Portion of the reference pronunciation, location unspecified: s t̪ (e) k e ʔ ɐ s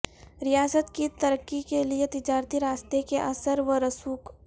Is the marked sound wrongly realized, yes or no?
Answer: no